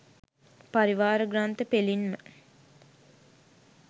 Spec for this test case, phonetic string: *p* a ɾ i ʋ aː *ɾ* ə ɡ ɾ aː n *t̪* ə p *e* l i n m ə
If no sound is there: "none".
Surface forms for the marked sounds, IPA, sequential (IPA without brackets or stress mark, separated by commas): p, ɾ, t̪, e